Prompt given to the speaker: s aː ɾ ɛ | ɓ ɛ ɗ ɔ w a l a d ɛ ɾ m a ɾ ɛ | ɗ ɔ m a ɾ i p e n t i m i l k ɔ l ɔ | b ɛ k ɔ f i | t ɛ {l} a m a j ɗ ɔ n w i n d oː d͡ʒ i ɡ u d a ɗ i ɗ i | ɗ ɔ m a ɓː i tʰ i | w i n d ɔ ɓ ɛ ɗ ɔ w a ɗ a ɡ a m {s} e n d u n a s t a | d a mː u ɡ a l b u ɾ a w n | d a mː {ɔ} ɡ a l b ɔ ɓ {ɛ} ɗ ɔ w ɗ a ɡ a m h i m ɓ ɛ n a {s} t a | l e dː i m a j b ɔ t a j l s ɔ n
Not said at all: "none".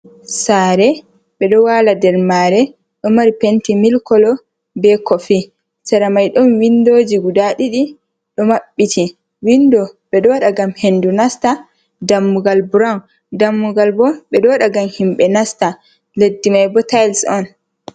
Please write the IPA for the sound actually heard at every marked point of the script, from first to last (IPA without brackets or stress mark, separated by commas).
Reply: ɾ, h, u, ɛ, s